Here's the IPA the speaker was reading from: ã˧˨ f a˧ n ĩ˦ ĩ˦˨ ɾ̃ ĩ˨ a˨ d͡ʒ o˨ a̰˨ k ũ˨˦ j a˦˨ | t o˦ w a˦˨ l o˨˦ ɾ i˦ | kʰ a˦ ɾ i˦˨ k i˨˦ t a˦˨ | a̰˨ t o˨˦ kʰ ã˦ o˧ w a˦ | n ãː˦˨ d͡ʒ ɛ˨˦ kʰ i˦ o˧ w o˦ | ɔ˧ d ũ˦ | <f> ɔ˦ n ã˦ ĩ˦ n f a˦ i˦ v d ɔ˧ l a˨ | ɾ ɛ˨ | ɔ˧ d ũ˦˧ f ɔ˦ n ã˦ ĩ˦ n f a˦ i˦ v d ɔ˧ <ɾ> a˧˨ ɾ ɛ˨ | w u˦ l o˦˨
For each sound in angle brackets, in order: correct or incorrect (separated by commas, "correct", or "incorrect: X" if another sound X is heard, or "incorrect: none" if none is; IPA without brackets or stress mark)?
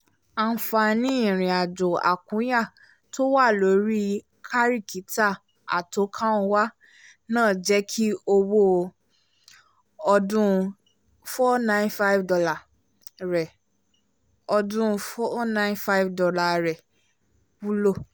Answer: correct, incorrect: l